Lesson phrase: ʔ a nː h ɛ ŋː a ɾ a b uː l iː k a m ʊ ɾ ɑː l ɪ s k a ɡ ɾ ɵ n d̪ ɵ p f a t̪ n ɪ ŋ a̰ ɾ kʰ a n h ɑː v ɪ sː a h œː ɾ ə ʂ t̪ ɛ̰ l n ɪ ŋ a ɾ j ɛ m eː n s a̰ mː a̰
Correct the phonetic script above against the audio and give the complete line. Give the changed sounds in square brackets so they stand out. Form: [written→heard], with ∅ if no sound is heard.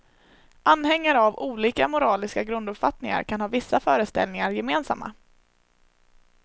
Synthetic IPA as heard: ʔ a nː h ɛ ŋː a ɾ a [b→v] uː l iː k a m ʊ ɾ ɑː l ɪ s k a ɡ ɾ ɵ n d̪ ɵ p f a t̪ n ɪ ŋ a̰ ɾ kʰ a n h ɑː v ɪ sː a [h→f] œː ɾ ə [ʂ→s] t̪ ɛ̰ l n ɪ ŋ a ɾ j ɛ m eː n s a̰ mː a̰